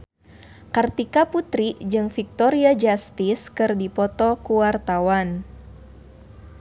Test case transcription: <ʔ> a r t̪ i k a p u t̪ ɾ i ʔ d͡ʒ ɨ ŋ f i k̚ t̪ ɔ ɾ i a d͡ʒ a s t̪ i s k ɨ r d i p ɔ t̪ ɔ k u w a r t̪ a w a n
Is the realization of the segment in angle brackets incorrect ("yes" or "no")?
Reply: yes